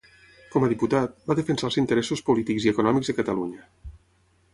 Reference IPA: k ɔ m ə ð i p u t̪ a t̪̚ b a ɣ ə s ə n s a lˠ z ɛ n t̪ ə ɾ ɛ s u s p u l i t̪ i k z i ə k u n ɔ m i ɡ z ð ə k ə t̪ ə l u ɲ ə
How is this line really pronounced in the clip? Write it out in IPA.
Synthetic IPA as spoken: k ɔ m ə ð i p u t̪ a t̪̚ b a ð ə f ə n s a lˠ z i n t̪ ə ɾ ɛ s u s p u l i t̪ i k z i ə k u n ɔ m i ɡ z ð ə k ə t̪ ə l u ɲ ə